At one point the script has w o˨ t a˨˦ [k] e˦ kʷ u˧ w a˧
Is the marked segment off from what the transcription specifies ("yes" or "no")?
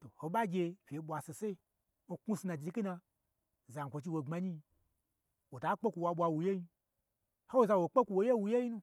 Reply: yes